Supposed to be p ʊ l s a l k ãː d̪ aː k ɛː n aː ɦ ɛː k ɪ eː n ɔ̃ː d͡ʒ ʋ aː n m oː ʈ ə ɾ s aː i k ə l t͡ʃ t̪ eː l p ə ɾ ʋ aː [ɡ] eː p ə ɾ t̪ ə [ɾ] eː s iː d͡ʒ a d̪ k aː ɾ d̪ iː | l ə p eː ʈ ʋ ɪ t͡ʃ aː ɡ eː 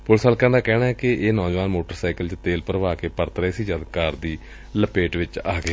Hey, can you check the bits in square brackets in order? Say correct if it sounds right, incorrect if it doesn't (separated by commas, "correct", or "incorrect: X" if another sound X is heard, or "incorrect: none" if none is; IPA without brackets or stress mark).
incorrect: k, correct